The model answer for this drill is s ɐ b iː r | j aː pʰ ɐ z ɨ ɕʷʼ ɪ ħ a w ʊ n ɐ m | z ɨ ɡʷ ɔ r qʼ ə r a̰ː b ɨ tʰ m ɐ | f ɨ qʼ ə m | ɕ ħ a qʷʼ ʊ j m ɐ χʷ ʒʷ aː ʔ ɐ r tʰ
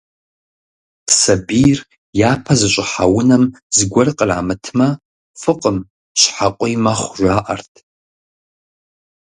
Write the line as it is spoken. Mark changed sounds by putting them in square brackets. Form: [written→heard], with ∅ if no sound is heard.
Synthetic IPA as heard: s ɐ b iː r | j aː pʰ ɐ z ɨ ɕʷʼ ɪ ħ a w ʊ n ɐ m | z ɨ ɡʷ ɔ r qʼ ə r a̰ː [b→m] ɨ tʰ m ɐ | f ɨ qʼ ə m | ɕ ħ a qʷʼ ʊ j m ɐ χʷ ʒʷ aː ʔ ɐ r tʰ